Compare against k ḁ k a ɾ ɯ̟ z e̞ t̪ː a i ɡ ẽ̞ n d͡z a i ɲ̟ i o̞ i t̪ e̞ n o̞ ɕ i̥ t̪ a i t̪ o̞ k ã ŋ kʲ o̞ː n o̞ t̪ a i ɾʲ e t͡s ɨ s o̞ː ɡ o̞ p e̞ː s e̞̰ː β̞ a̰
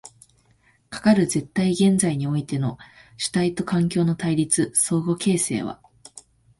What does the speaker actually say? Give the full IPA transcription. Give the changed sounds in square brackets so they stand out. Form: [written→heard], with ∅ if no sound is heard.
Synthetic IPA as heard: k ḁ k a ɾ ɯ̟ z e̞ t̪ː a i ɡ ẽ̞ n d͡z a i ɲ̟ i o̞ i t̪ e̞ n o̞ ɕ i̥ t̪ a i t̪ o̞ k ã ŋ kʲ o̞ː n o̞ t̪ a i ɾʲ [e→i] t͡s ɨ s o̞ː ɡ o̞ [p→k] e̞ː s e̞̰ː β̞ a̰

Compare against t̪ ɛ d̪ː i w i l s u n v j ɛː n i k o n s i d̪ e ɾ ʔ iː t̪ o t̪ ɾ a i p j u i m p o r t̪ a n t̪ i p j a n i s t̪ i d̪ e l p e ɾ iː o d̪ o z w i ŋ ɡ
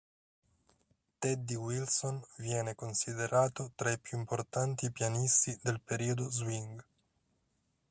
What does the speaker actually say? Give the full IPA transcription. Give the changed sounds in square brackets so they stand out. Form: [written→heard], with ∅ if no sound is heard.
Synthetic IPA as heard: t̪ ɛ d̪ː i w i l s [u→o] n v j ɛː n [i→e] k o n s i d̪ e ɾ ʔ [iː→aː] t̪ o t̪ ɾ a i p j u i m p o r t̪ a n t̪ i p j a n i s t̪ i d̪ e l p e ɾ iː o d̪ o z w i ŋ ɡ

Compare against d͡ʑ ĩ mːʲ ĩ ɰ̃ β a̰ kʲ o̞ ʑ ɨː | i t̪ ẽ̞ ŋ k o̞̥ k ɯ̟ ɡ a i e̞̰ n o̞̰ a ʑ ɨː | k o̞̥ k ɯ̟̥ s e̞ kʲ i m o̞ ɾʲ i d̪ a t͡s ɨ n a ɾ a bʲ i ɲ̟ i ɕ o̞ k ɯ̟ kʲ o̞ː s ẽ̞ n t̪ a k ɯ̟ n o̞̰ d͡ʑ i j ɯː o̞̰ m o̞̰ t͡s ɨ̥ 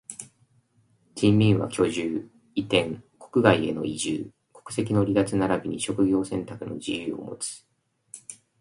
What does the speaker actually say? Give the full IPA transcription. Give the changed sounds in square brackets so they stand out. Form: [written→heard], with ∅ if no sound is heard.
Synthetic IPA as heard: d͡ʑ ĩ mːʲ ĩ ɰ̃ β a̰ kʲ o̞ ʑ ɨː | i t̪ ẽ̞ ŋ k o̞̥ k ɯ̟ ɡ a i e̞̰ n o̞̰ [a→i] ʑ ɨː | k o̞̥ k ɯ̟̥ s e̞ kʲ i [m→n] o̞ ɾʲ i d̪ a t͡s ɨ n a ɾ a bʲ i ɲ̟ i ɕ o̞ k ɯ̟ [kʲ→ɡʲ] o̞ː s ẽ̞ n t̪ a k ɯ̟ n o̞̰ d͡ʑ i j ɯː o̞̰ m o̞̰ t͡s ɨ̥

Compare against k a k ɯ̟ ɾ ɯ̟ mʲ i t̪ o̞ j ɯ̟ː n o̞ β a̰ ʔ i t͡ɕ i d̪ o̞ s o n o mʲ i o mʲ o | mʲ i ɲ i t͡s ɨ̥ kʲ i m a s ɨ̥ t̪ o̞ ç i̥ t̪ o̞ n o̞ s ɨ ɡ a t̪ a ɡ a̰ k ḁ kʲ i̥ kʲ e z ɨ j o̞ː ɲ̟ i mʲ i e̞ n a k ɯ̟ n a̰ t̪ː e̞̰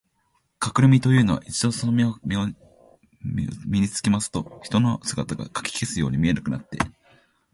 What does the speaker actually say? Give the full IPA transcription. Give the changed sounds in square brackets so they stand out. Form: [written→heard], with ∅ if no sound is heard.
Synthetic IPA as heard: k a k ɯ̟ ɾ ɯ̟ mʲ i t̪ o̞ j ɯ̟ː n o̞ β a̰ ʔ i t͡ɕ i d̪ o̞ s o n o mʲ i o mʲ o | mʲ i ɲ i t͡s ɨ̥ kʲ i m a s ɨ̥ t̪ o̞ ç i̥ t̪ o̞ n o̞ s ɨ ɡ a t̪ a ɡ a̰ k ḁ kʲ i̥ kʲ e [z→s] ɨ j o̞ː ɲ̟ i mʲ i e̞ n a k ɯ̟ n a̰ t̪ː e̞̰

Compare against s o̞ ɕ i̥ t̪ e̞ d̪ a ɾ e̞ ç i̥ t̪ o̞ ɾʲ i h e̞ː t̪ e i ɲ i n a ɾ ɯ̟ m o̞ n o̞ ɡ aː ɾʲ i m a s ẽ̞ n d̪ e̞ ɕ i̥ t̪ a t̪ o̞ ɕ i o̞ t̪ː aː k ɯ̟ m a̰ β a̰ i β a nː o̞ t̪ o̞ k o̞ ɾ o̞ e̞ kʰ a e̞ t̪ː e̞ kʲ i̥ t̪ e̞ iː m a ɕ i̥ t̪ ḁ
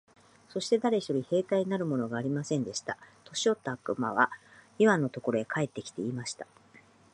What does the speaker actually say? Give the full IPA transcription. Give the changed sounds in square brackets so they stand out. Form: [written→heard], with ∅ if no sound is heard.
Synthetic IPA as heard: s o̞ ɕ i̥ t̪ e̞ d̪ a ɾ e̞ ç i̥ t̪ o̞ ɾʲ i h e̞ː t̪ [e→a] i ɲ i n a ɾ ɯ̟ m o̞ n o̞ ɡ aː ɾʲ i m a s ẽ̞ n d̪ e̞ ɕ i̥ t̪ a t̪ o̞ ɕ i o̞ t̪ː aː k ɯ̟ m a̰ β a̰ i β a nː o̞ t̪ o̞ k o̞ ɾ o̞ e̞ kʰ a e̞ t̪ː e̞ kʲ i̥ t̪ e̞ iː m a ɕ i̥ t̪ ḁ

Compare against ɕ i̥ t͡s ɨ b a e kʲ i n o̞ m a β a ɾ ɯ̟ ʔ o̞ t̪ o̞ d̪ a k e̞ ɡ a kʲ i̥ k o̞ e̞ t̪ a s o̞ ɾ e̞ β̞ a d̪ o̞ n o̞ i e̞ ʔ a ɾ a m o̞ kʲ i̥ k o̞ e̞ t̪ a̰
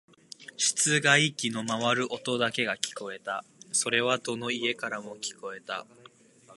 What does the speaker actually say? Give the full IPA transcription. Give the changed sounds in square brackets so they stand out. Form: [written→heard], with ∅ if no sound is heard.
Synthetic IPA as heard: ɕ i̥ t͡s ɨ [b→ɡ] a [e→i] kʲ i n o̞ m a β a ɾ ɯ̟ ʔ o̞ t̪ o̞ d̪ a k e̞ ɡ a kʲ i̥ k o̞ e̞ t̪ a s o̞ ɾ e̞ β̞ a d̪ o̞ n o̞ i e̞ [ʔ→k] a ɾ a m o̞ kʲ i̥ k o̞ e̞ t̪ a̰

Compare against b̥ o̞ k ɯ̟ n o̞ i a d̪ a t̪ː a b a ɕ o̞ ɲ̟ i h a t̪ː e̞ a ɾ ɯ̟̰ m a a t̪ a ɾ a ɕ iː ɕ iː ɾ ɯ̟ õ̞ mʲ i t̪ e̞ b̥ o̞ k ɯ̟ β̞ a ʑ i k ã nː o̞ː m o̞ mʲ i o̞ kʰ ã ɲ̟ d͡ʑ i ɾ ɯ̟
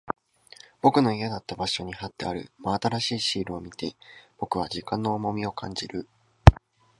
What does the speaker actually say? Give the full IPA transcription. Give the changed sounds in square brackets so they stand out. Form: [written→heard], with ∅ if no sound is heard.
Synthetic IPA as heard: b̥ o̞ k ɯ̟ n o̞ i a d̪ a t̪ː a b a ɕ o̞ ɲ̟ i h a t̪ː e̞ a ɾ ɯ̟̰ m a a t̪ a ɾ a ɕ iː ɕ iː ɾ ɯ̟ [õ̞→o̞] mʲ i t̪ e̞ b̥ o̞ k ɯ̟ β̞ a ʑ i k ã nː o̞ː m o̞ mʲ i o̞ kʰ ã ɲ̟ d͡ʑ i ɾ ɯ̟

